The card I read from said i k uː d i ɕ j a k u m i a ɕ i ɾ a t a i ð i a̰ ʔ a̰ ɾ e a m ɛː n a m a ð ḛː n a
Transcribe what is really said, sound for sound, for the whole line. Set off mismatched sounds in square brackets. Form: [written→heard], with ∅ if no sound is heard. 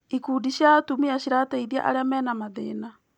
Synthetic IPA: i k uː d i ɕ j a [k→t] u m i a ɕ i ɾ a t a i ð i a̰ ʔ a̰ ɾ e a m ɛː n a m a ð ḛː n a